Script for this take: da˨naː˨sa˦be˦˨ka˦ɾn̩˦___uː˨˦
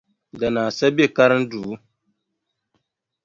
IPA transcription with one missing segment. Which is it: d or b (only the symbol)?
d